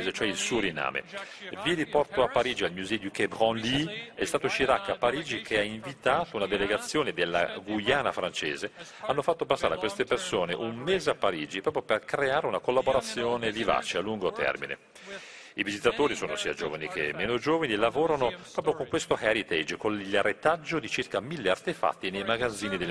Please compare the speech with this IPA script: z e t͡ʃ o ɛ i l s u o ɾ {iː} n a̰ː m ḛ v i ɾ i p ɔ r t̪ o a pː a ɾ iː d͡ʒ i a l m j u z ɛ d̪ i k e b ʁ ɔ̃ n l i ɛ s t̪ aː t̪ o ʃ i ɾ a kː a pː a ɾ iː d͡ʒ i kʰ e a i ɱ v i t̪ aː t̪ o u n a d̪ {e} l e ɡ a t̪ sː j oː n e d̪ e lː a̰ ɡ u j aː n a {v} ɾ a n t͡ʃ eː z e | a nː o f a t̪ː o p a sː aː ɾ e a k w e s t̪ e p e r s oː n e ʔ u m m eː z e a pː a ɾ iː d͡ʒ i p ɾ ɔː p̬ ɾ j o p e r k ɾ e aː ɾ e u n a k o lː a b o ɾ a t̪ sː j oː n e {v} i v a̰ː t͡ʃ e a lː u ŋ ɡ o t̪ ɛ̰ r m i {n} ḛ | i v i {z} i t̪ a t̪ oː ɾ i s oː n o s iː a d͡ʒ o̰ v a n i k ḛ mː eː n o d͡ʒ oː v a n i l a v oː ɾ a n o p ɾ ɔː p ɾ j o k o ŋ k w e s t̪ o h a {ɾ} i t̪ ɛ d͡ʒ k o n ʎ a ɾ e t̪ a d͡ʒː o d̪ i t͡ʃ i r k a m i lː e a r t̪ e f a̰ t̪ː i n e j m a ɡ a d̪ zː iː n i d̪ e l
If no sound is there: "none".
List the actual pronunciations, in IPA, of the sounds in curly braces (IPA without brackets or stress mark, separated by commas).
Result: i, e, f, v, n, z, ɾ